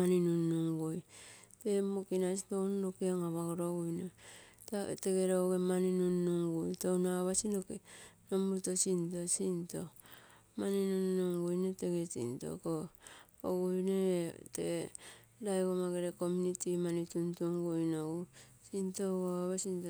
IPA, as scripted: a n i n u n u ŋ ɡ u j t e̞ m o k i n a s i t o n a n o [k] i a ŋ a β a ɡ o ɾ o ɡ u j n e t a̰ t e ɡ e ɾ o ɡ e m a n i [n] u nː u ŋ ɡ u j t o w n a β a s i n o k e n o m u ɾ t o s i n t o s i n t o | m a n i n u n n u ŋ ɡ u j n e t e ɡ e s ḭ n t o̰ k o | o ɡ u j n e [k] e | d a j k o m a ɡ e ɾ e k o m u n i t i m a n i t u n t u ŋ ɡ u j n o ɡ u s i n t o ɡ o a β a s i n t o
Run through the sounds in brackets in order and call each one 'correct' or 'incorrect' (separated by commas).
correct, correct, incorrect